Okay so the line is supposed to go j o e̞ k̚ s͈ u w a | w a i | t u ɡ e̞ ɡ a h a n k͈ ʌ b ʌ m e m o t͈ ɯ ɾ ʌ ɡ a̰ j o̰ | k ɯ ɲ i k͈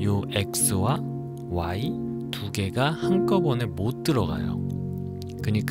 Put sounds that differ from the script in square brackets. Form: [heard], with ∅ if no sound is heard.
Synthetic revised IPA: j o e̞ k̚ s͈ [ɯ] w a | w a i | t u ɡ e̞ ɡ a h a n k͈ ʌ b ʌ [n] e m o t͈ ɯ ɾ ʌ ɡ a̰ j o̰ | k ɯ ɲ i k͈